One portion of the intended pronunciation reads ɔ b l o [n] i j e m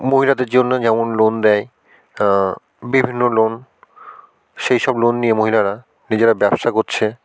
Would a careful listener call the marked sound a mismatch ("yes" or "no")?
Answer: yes